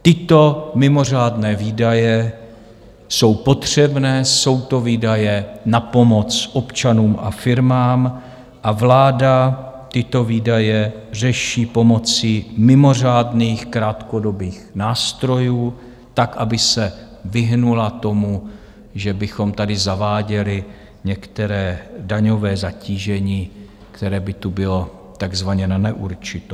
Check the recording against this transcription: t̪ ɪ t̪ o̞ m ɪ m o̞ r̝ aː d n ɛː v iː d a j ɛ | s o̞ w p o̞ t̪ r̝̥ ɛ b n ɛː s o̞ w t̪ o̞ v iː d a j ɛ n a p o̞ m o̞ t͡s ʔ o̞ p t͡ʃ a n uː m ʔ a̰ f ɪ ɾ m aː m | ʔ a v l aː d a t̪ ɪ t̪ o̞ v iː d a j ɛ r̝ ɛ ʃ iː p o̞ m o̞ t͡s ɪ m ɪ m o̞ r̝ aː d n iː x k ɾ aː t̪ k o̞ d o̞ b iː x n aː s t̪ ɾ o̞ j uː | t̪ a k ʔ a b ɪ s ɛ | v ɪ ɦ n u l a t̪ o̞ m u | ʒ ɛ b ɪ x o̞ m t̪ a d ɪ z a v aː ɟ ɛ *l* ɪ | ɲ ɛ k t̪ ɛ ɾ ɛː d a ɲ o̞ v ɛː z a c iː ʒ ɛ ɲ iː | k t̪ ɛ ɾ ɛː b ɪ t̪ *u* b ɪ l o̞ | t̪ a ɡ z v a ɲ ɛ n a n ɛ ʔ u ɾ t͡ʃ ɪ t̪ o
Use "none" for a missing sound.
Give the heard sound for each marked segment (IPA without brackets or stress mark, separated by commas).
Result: l, u